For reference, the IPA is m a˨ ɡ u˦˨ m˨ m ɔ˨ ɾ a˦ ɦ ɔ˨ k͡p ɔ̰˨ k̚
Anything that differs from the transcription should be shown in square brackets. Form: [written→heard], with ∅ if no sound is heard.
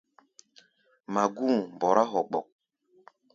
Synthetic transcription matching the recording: m a˨ ɡ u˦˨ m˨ [m→b] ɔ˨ ɾ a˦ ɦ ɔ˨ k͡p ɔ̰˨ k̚

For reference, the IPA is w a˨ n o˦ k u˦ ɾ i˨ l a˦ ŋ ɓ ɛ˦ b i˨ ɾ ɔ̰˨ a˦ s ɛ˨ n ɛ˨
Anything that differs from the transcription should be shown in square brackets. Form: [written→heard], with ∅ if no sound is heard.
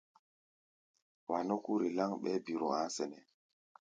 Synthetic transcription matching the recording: w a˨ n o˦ k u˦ ɾ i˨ l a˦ ŋ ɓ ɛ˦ b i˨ ɾ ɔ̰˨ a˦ s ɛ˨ n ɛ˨

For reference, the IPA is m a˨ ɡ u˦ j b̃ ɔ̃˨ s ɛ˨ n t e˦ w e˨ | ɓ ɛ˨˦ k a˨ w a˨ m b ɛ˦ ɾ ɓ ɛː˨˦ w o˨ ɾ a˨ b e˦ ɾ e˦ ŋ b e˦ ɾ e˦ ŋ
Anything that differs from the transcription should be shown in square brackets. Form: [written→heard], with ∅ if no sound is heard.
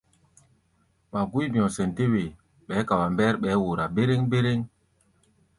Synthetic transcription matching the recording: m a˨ ɡ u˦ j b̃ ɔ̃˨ s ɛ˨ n t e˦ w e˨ | ɓ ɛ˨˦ k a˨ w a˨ m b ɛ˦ ɾ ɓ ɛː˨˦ w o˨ ɾ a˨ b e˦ ɾ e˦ ŋ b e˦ ɾ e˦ ŋ

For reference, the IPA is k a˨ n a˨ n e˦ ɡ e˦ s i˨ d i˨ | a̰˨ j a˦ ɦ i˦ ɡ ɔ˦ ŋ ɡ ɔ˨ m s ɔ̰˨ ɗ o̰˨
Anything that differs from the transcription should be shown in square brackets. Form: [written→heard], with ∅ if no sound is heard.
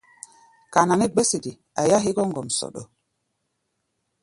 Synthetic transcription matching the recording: k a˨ n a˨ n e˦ [ɡ→ɡ͡b] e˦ s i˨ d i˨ | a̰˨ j a˦ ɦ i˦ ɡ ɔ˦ ŋ ɡ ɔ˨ m s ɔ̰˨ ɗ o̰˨

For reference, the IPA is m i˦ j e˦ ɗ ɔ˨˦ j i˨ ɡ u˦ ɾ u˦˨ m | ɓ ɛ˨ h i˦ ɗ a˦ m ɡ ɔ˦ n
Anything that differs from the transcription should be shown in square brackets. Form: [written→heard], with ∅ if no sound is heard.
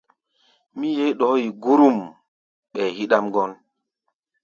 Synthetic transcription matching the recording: m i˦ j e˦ ɗ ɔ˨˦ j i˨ ɡ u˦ ɾ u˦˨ m | ɓ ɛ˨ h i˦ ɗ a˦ m ɡ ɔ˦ n

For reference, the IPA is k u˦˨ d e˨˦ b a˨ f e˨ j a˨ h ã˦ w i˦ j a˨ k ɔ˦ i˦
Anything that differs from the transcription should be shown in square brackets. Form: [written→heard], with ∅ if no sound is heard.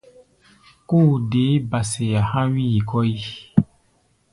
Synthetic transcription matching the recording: k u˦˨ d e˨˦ b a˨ [f→s] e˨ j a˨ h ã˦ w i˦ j [a˨→i˨] k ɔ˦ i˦

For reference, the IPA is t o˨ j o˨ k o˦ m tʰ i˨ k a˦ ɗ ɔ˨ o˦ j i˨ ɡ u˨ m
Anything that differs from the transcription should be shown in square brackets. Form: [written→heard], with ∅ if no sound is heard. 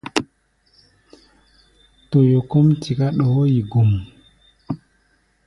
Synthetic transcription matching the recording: t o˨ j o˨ k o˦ m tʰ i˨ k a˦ ɗ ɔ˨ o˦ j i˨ ɡ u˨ m

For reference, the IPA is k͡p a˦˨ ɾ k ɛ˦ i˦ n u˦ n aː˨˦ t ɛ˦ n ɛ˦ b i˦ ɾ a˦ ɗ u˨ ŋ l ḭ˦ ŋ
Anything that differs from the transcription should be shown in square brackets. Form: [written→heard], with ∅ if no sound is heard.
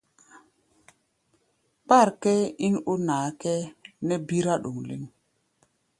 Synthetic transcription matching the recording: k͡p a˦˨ ɾ k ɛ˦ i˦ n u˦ n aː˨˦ [t→k] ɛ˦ n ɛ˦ b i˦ ɾ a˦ ɗ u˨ ŋ l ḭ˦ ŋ

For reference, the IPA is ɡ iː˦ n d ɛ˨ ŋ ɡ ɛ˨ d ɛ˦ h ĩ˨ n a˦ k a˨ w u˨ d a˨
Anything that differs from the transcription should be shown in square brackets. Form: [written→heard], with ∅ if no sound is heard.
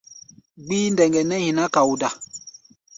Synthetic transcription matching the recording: [ɡ→ɡ͡b] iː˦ n d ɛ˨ ŋ ɡ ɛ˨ [d→n] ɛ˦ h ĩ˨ n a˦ k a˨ w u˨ d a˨

